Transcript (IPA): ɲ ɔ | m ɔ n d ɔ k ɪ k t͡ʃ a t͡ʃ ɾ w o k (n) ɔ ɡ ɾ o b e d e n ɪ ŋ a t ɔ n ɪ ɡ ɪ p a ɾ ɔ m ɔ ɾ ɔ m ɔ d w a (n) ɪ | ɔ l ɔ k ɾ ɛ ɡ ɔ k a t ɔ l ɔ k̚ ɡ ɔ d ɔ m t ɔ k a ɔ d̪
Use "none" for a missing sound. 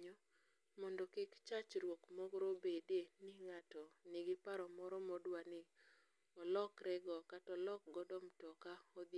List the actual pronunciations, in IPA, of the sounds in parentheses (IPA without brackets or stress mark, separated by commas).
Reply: m, n